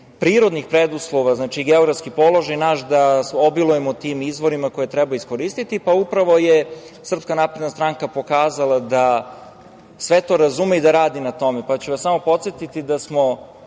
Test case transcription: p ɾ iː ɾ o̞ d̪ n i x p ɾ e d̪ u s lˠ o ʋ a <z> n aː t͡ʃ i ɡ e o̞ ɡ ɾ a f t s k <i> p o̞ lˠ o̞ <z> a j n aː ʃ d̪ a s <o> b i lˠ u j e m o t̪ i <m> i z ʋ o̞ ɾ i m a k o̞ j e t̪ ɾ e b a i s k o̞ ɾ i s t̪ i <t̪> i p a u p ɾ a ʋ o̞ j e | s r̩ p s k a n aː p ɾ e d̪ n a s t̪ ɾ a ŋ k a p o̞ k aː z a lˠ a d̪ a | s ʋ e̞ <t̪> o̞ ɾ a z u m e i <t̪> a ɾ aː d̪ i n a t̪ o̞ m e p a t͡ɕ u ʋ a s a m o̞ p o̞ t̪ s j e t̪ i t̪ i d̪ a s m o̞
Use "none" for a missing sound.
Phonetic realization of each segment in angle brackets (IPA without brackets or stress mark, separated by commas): z, i, ʒ, o, m, t̪, t̪, d̪